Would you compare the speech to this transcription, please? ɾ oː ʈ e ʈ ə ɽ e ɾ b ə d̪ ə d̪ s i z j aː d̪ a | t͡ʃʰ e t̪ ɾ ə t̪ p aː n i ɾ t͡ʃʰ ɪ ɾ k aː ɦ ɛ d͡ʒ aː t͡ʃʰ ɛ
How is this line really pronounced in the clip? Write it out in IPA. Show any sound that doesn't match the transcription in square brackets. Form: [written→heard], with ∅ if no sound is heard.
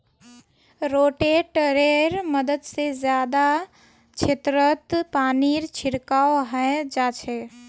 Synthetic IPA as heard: ɾ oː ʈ e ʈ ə [ɽ→ɾ] e ɾ [b→m] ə d̪ ə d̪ s [i→e] z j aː d̪ a | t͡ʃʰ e t̪ ɾ ə t̪ p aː n i ɾ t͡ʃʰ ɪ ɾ k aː ɦ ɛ d͡ʒ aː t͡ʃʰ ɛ